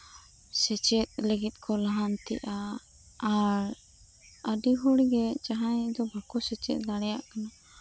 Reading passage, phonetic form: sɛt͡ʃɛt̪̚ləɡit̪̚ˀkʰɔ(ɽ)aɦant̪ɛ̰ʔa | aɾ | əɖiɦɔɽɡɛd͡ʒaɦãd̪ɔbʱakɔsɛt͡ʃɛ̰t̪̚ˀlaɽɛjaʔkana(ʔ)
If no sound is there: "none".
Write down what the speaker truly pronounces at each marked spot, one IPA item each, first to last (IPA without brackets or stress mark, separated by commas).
l, none